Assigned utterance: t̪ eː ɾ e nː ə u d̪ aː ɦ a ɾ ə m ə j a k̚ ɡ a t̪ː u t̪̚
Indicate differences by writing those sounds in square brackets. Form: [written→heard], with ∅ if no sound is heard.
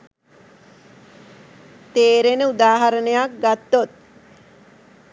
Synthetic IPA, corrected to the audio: t̪ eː ɾ e [nː→n] ə u d̪ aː ɦ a ɾ ə [m→n] ə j a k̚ ɡ a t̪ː [u→o] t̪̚